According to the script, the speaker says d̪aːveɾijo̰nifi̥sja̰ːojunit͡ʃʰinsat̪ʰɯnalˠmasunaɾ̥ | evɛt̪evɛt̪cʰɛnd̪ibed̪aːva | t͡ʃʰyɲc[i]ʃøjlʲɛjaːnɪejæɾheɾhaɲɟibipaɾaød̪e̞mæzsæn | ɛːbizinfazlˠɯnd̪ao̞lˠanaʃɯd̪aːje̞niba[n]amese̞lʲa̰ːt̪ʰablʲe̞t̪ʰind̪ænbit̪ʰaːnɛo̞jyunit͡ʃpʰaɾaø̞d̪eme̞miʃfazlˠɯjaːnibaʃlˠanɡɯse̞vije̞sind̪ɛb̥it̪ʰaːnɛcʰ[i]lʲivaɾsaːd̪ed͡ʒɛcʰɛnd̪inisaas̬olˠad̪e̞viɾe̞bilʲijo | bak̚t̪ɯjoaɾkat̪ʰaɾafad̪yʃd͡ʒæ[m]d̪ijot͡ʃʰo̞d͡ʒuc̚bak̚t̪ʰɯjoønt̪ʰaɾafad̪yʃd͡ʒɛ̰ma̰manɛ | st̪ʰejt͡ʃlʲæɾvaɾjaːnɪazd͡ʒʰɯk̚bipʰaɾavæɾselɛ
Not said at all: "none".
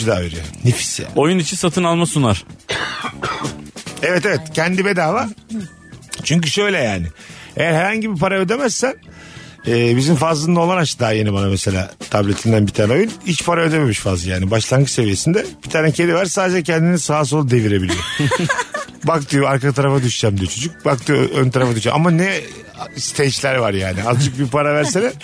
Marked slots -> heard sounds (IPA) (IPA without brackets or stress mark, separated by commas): y, n, e, m